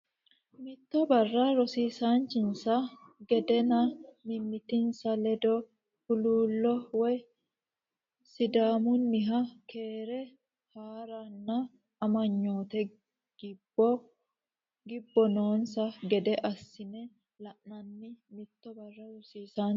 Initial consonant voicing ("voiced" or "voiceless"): voiced